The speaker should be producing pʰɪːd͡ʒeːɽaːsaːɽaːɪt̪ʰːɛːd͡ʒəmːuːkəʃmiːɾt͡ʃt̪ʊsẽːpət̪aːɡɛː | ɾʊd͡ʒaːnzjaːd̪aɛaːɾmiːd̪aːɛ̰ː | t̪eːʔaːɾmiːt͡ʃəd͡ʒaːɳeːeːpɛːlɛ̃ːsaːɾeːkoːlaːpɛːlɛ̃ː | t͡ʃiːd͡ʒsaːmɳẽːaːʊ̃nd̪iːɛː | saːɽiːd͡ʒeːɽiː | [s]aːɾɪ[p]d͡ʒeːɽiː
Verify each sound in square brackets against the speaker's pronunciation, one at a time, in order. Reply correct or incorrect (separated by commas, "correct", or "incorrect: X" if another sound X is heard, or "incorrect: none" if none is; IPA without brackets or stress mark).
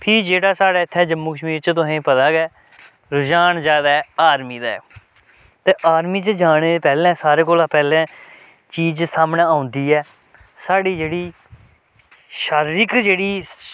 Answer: incorrect: ʃ, incorrect: k